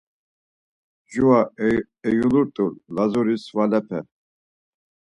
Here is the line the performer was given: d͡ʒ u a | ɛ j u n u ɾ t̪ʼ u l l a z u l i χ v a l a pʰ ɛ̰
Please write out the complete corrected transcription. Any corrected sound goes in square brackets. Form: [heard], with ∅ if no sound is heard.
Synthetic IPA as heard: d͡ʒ u a | ɛ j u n u ɾ t̪ʼ u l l a z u [ɾ] i [s] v a l [ɛ] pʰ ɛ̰